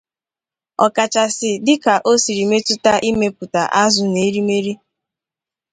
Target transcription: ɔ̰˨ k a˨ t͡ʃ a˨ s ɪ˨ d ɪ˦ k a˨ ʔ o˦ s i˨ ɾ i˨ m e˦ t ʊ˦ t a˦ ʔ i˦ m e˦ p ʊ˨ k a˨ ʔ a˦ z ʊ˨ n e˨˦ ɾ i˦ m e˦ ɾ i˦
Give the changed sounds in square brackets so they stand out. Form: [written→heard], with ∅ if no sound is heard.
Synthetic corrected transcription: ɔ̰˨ k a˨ t͡ʃ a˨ s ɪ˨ d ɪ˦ k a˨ ʔ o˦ s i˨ ɾ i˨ m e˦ t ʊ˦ t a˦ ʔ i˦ m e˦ p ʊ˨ [k→t] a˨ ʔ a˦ z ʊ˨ n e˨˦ ɾ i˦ m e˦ ɾ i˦